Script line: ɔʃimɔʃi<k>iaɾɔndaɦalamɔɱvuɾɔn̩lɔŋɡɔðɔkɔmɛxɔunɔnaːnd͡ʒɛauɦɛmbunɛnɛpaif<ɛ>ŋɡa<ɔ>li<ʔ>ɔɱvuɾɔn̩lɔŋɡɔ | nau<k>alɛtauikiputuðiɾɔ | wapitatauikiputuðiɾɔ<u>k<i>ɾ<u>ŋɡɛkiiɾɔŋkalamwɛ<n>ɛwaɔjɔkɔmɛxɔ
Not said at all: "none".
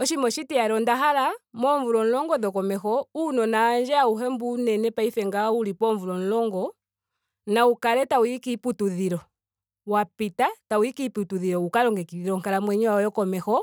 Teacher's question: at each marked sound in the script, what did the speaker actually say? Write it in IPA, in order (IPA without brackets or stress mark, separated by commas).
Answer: t, ɛ, u, p, k, u, a, ɔ, ɲ